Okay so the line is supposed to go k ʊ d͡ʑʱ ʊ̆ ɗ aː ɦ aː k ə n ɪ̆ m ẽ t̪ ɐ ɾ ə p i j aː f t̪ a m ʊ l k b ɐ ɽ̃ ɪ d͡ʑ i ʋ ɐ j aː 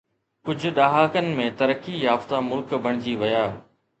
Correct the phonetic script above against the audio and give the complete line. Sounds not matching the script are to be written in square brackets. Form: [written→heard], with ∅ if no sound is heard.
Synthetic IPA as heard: k ʊ d͡ʑʱ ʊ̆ ɗ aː ɦ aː k ə n ɪ̆ m ẽ t̪ ɐ ɾ ə [p→k] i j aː f t̪ a m ʊ l k b ɐ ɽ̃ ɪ d͡ʑ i ʋ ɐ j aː